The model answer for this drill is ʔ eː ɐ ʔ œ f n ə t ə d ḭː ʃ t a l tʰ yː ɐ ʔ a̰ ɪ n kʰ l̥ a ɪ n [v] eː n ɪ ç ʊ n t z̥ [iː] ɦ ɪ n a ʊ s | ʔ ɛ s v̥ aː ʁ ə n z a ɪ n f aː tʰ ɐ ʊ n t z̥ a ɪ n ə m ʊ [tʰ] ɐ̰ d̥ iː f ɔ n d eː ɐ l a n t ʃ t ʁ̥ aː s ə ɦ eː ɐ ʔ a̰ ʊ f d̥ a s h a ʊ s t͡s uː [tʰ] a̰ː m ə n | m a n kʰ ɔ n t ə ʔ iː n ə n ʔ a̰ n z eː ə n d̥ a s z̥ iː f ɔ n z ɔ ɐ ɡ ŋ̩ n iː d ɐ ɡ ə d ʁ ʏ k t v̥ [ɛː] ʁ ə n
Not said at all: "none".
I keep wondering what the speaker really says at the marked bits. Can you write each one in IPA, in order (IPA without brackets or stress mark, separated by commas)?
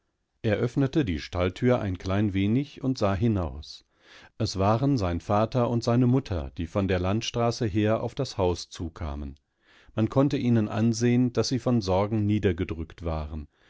v, aː, tʰ, kʰ, aː